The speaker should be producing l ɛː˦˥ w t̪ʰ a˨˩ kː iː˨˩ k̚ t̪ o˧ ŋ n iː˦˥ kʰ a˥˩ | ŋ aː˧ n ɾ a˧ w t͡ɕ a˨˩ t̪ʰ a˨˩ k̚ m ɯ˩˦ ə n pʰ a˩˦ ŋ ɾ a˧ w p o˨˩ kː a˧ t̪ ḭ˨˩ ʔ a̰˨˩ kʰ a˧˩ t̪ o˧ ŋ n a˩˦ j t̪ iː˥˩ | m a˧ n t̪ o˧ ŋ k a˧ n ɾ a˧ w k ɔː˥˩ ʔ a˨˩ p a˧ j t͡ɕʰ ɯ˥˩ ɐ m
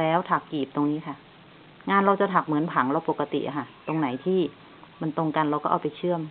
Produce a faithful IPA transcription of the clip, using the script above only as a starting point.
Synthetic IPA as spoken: l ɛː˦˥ w t̪ʰ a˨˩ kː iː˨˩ p̚ t̪ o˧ ŋ n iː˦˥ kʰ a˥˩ | ŋ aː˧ n ɾ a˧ w t͡ɕ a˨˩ t̪ʰ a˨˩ k̚ m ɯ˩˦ ə n pʰ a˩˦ ŋ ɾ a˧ w p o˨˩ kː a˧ t̪ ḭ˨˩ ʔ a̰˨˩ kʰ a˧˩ t̪ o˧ ŋ n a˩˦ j t̪ʰ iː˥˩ | m a˧ n t̪ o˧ ŋ k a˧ n ɾ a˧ w k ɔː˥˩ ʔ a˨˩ p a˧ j t͡ɕʰ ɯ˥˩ ə m